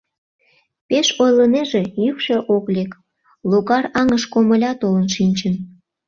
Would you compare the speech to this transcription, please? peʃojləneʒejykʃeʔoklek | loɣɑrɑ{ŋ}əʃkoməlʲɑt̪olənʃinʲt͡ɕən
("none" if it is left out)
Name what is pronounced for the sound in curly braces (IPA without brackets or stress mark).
ŋ